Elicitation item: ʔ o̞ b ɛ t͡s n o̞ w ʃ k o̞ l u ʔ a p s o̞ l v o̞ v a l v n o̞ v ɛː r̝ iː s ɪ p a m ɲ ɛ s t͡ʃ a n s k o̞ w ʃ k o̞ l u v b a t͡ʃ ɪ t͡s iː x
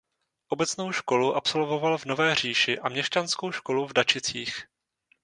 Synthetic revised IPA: ʔ o̞ b ɛ t͡s n o̞ w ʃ k o̞ l u ʔ a p s o̞ l v o̞ v a l v n o̞ v ɛː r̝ iː ʃ ɪ ʔ a m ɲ ɛ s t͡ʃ a n s k o̞ w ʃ k o̞ l u v d a t͡ʃ ɪ t͡s iː x